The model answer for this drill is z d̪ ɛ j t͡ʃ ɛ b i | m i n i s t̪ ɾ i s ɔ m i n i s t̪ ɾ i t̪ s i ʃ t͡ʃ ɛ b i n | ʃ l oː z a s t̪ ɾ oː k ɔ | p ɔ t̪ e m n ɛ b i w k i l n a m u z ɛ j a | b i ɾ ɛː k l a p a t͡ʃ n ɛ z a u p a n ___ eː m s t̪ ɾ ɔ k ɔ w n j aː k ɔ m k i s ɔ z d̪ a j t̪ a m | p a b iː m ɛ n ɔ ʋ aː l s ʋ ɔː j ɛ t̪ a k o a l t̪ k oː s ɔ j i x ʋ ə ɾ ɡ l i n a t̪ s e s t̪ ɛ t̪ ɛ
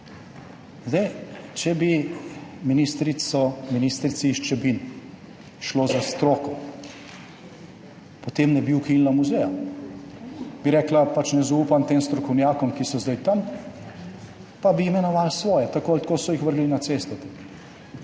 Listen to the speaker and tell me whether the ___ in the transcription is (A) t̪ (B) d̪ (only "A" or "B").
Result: A